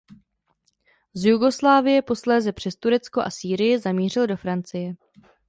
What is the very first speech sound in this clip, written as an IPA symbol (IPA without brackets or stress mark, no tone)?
z